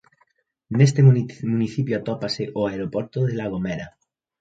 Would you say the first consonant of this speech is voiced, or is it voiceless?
voiced